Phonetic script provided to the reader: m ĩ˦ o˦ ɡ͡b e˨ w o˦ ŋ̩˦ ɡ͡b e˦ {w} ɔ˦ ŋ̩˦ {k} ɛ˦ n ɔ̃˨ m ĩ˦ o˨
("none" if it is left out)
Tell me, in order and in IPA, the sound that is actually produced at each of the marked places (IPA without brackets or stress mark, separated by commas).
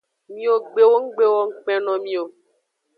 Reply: w, k͡p